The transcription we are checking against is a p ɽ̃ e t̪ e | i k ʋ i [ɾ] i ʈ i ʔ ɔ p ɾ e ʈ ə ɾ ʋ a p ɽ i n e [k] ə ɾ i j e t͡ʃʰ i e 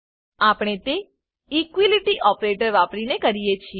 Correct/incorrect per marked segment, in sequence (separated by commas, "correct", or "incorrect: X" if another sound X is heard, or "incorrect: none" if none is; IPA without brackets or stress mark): incorrect: l, correct